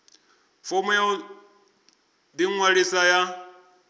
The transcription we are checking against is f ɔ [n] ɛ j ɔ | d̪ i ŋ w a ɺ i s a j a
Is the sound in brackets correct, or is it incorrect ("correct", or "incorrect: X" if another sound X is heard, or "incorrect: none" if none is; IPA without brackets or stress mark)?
incorrect: m